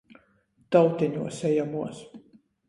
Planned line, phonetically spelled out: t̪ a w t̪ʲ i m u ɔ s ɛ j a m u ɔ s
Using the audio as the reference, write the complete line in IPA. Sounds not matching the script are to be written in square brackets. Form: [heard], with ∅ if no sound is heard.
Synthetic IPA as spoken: t̪ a w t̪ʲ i [ɲ] u ɔ s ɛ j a m u ɔ s